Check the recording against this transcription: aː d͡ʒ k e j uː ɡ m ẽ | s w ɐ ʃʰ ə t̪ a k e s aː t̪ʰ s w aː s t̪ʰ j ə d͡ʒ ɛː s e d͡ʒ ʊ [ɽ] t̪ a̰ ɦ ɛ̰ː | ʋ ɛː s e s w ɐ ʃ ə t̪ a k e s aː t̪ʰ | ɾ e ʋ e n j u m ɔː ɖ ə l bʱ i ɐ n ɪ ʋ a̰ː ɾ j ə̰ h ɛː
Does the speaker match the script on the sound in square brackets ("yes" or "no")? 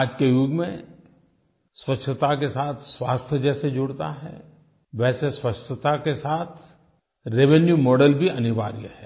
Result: yes